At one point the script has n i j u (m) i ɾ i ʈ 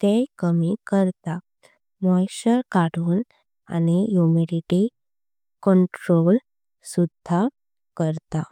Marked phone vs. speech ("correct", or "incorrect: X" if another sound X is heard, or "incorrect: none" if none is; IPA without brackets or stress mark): correct